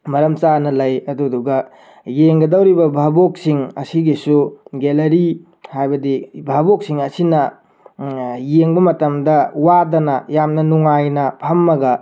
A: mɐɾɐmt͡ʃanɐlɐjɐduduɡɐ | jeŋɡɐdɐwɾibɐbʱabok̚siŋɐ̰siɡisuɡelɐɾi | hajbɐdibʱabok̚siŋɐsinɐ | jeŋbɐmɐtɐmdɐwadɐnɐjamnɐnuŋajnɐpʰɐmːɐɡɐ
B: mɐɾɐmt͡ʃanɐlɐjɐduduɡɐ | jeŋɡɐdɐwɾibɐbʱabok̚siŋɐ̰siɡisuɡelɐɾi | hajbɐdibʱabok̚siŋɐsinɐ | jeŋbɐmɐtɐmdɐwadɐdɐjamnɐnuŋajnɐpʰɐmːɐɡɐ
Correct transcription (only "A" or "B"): A